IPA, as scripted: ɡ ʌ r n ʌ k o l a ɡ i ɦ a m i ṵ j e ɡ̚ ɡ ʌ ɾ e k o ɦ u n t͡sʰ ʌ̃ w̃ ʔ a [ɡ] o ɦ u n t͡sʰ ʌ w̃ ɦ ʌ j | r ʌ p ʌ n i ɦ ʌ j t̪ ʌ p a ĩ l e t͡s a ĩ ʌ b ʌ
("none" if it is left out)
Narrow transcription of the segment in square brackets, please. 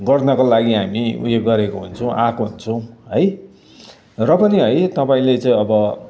k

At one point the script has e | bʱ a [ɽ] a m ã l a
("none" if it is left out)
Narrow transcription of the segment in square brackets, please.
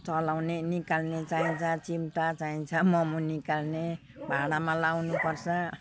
ɽ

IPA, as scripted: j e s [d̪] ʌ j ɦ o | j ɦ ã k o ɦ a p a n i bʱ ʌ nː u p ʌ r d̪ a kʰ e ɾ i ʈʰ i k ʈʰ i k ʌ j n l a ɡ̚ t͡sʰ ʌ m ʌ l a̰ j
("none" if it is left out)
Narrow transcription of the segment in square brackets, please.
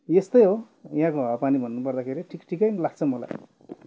t̪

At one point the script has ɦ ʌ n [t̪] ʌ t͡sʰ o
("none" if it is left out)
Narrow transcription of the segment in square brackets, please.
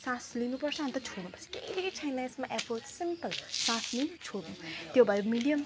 t̪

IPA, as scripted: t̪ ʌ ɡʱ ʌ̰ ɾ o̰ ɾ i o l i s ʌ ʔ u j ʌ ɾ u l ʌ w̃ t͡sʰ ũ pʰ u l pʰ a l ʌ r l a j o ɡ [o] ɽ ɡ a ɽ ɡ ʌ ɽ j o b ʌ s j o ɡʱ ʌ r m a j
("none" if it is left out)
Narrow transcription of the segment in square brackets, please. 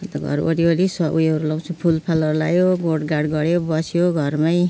o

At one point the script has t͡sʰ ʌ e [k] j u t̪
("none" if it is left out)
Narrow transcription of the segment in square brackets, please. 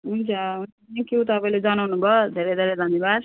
k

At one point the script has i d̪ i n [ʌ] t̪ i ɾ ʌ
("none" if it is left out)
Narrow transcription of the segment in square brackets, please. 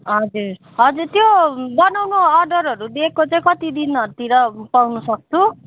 ʌ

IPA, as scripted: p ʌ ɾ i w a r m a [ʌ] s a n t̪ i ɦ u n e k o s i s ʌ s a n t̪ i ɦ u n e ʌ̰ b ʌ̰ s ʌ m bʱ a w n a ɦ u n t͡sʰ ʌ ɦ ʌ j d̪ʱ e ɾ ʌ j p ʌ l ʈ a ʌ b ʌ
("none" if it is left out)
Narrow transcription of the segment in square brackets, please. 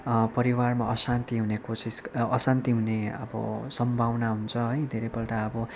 ʌ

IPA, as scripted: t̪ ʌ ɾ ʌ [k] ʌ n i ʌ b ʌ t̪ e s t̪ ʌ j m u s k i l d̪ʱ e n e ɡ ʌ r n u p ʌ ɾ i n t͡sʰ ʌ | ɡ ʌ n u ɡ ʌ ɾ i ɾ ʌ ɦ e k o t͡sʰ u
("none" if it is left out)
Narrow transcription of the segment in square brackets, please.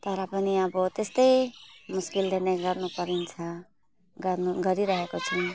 p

